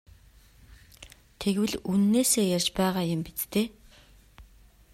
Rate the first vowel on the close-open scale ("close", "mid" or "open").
mid